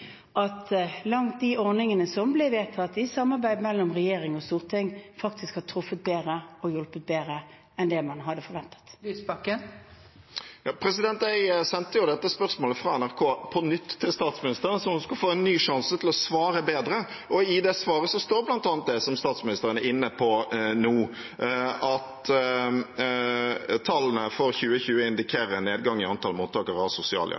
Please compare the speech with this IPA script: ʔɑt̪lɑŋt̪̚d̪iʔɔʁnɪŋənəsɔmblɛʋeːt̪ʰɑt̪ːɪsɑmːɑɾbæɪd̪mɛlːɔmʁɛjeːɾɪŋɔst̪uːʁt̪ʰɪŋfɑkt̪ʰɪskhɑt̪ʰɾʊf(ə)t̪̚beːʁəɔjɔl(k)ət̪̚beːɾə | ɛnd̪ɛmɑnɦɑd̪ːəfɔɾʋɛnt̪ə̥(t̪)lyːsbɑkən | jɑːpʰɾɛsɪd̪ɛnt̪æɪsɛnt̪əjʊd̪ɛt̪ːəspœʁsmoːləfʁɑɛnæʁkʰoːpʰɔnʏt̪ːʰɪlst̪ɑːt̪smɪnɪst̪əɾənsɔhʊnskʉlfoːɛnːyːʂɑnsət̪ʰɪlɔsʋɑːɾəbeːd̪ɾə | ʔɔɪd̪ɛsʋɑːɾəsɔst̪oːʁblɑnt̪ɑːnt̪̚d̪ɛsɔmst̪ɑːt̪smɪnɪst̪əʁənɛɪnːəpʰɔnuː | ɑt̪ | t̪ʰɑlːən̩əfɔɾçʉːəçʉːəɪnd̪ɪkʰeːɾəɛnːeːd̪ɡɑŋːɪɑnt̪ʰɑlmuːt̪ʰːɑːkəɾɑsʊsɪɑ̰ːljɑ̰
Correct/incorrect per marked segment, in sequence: correct, incorrect, correct

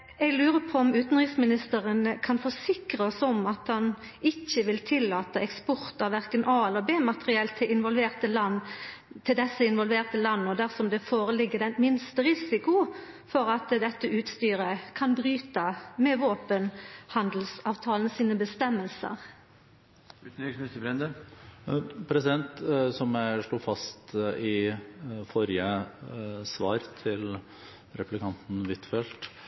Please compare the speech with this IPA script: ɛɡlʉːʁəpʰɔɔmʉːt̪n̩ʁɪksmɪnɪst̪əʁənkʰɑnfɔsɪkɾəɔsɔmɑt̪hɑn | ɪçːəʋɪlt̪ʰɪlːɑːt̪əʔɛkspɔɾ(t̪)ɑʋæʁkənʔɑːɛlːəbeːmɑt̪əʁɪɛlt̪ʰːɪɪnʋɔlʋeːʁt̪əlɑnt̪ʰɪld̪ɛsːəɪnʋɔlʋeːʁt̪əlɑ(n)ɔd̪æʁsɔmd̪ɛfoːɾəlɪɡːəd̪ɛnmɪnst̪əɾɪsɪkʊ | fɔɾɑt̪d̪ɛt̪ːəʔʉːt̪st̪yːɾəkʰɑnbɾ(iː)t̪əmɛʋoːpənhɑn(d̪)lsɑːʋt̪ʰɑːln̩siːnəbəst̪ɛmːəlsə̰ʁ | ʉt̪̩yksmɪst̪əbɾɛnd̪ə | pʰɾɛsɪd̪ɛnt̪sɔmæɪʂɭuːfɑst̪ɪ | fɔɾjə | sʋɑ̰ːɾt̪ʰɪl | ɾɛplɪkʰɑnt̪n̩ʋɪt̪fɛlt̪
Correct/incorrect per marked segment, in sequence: correct, incorrect, incorrect, correct

